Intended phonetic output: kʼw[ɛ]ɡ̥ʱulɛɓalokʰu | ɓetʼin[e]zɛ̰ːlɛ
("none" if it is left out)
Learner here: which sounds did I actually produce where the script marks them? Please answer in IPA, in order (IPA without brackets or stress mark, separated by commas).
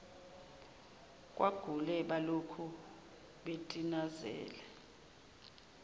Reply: a, a